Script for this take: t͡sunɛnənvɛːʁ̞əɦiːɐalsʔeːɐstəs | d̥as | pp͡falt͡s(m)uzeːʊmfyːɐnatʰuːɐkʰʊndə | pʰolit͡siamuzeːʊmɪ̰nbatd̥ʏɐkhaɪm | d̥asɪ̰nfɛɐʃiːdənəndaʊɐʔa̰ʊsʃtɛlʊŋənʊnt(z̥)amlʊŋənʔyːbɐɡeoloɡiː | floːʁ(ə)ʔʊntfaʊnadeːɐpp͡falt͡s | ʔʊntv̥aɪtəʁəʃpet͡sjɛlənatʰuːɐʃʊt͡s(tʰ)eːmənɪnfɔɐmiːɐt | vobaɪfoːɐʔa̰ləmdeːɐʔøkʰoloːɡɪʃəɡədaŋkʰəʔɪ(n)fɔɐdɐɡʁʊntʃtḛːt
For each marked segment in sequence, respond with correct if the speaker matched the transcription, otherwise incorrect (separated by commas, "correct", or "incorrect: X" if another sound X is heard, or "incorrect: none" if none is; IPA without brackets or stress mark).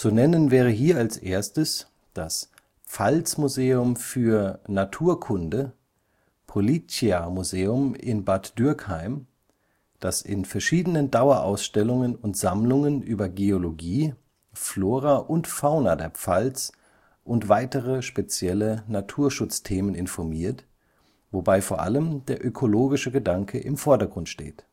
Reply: correct, correct, incorrect: a, correct, incorrect: m